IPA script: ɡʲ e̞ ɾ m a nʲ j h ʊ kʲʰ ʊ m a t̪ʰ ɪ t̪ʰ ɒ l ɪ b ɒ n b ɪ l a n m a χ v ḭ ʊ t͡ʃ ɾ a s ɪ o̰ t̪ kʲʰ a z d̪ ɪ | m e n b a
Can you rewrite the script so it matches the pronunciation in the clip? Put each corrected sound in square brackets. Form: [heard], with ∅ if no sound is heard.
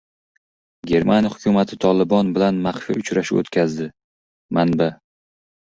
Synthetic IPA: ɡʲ e̞ ɾ m a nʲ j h ʊ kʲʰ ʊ m a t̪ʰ ɪ t̪ʰ ɒ l ɪ b ɒ n b ɪ l a n m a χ [f] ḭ ʊ t͡ʃ ɾ a [ʃ] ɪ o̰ t̪ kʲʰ a z d̪ ɪ | m [a] n b a